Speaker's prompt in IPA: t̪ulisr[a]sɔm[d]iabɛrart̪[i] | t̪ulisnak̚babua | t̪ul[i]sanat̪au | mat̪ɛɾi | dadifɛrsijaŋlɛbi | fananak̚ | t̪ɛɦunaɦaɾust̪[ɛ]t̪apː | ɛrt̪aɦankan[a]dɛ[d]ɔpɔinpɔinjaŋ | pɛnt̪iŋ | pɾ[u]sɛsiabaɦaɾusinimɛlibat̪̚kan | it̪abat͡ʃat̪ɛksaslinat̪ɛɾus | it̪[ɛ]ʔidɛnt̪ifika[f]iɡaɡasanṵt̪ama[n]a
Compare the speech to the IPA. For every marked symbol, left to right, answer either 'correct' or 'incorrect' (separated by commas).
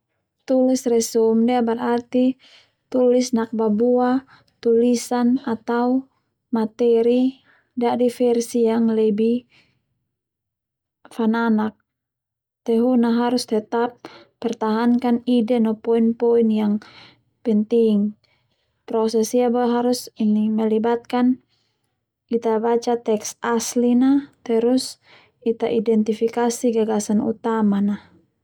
incorrect, correct, correct, correct, correct, incorrect, incorrect, incorrect, incorrect, incorrect, correct